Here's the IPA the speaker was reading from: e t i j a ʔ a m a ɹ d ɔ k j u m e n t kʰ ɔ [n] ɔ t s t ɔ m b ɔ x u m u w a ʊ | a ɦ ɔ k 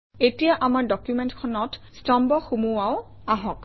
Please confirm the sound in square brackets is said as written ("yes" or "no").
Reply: yes